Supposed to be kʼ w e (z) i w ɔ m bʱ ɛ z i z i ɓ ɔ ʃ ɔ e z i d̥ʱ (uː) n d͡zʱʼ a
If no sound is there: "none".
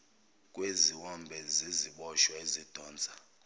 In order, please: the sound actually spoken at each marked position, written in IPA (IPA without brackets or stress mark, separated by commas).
z, ɔː